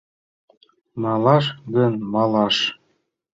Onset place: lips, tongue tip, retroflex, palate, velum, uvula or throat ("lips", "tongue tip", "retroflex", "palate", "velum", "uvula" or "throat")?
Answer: lips